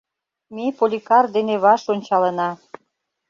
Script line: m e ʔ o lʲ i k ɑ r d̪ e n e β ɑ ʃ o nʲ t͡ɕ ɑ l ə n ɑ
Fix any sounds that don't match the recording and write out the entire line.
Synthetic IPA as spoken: m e p o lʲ i k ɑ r d̪ e n e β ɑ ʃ o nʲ t͡ɕ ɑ l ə n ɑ

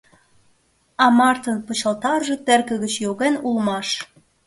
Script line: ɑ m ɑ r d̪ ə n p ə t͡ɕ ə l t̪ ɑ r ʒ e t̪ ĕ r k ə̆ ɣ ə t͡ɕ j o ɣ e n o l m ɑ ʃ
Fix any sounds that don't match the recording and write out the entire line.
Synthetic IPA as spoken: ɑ m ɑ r t̪ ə n p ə t͡ɕ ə l t̪ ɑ r ʒ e t̪ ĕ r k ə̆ ɣ ə t͡ɕ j o ɣ e n u l m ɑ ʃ

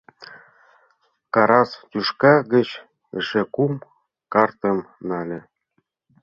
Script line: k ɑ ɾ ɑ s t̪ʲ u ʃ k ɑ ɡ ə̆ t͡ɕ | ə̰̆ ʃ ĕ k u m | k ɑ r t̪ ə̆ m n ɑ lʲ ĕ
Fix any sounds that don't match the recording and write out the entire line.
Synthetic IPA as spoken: k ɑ ɾ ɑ s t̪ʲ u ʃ k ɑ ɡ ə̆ t͡ɕ | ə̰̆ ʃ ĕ k u m | k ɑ r t̪ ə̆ m n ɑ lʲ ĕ

